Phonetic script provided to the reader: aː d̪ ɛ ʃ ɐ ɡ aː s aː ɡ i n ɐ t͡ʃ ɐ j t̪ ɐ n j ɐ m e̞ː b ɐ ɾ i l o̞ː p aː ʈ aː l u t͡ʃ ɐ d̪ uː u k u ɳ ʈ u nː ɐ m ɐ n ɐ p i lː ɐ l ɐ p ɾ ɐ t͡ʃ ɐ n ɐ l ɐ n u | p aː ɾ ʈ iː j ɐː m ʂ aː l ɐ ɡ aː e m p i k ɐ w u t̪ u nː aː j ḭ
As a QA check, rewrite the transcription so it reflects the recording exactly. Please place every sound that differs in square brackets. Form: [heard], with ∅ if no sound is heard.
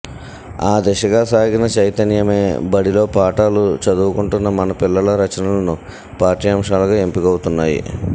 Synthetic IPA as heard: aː d̪ ɛ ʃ ɐ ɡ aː s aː ɡ i n ɐ t͡ʃ ɐ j t̪ ɐ n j ɐ m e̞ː b ɐ [ɽ] i l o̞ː p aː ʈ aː l u t͡ʃ ɐ d̪ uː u k u ɳ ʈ u nː ɐ m ɐ n ɐ p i lː ɐ l ɐ [∅] ɾ ɐ t͡ʃ ɐ n ɐ l ɐ n u | p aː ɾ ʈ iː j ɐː m ʂ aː l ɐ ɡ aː e m p i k ɐ w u t̪ u nː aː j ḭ